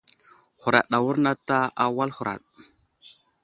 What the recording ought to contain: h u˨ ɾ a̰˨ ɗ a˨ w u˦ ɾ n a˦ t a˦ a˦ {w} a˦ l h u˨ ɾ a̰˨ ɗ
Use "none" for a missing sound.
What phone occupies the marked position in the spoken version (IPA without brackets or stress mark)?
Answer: w